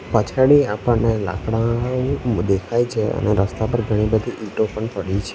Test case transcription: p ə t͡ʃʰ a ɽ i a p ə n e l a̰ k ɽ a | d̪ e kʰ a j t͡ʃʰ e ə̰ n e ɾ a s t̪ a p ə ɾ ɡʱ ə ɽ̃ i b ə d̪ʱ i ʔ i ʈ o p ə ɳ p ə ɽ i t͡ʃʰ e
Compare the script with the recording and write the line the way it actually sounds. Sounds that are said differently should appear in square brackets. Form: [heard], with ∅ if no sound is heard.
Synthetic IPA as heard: p ə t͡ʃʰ a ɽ i a p ə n e l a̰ k ɽ a | d̪ e kʰ a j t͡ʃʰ e ə̰ n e ɾ [ə] s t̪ a p ə ɾ ɡʱ ə ɽ̃ i b ə d̪ʱ i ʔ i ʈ o p ə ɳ p ə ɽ i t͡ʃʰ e